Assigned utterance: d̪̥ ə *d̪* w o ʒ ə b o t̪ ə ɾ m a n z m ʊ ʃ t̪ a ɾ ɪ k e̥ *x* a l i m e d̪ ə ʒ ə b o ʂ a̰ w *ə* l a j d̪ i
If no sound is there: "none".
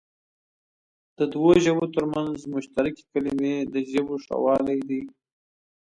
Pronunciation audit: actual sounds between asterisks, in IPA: d̪, k, ɑ

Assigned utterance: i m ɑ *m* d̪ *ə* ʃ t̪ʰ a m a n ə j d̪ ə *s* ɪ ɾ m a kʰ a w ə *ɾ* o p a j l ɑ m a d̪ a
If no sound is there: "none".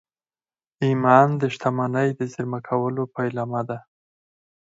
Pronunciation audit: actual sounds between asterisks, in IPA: n, ə, z, l

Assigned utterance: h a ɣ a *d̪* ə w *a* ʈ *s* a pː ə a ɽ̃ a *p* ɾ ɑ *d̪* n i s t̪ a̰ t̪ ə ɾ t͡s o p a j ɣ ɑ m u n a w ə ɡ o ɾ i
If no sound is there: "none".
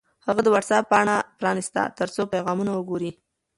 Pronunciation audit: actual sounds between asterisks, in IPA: d̪, a, s, p, none

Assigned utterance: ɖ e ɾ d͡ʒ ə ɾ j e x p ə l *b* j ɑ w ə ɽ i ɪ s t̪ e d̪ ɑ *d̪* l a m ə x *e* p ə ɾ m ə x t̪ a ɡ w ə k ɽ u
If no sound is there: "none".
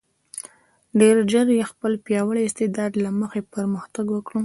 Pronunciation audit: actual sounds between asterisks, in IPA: p, d̪, e

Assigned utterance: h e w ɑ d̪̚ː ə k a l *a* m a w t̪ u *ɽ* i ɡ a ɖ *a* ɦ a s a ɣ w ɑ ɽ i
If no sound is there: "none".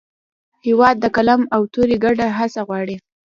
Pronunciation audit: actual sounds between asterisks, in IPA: a, ɾ, a

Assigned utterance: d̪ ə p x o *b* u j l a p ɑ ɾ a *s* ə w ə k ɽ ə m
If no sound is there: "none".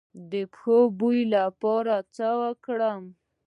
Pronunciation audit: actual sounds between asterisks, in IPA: b, t͡s

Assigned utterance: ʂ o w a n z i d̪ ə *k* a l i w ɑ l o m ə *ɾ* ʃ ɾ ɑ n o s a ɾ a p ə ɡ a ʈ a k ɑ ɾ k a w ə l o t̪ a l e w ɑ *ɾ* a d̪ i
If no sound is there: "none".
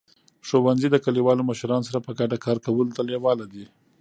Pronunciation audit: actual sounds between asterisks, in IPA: k, none, l

